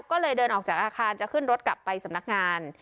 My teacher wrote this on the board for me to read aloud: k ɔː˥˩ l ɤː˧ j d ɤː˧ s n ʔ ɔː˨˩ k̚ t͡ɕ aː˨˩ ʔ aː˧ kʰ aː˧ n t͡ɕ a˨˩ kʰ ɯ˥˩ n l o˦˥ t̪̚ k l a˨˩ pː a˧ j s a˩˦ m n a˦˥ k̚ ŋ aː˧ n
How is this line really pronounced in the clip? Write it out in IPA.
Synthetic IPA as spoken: k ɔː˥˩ l ɤː˧ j d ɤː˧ n ʔ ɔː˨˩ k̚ t͡ɕ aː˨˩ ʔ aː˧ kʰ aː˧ n t͡ɕ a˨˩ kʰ ɯ˥˩ n ɾ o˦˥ t̪̚ k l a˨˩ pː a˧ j s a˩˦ m n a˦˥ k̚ ŋ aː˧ n